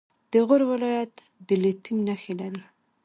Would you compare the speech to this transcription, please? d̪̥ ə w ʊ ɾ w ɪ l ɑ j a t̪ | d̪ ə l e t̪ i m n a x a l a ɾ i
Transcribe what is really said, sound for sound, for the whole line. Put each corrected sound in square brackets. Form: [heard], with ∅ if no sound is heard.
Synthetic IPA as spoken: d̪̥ ə [ɣ] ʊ ɾ w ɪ l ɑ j a t̪ | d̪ ə l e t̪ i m n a x [e] l a ɾ i

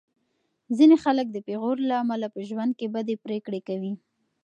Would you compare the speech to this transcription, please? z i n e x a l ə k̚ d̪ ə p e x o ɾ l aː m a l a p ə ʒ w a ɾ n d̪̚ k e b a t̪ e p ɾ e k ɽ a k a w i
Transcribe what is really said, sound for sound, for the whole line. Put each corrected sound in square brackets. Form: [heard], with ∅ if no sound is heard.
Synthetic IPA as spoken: z i n e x a l ə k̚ d̪ ə p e [ɣ] o ɾ l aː m a l a p ə ʒ w a [∅] n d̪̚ k e b a [d̪] e p ɾ e k ɽ [e] k a w i

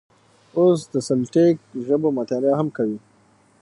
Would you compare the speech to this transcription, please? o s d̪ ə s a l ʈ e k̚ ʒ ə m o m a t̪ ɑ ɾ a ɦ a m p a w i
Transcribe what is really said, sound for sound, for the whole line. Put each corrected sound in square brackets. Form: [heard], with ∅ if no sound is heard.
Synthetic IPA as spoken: o s d̪ ə s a l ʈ e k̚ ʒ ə [b] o m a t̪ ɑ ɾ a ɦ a m [k] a w i

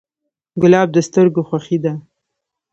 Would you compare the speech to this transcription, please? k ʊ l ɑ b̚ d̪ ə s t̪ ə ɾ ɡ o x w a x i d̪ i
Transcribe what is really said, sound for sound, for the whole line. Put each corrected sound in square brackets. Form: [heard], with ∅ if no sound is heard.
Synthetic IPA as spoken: [ɡ] ʊ l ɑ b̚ d̪ ə s t̪ ə ɾ ɡ o x w a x i d̪ [a]

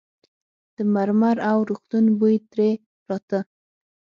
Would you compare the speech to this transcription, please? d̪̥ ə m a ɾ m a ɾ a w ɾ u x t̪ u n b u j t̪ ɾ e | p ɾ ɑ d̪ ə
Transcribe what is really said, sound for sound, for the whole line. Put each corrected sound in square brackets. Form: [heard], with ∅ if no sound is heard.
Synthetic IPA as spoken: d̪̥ ə m a ɾ m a ɾ a w ɾ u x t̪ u n b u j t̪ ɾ e | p ɾ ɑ [t̪] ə

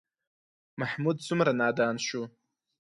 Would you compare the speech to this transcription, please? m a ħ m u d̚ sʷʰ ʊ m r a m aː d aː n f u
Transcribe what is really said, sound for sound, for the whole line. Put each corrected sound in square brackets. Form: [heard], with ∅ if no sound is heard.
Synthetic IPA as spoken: m a ħ m u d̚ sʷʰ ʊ m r a [n] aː d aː n [ʃ] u

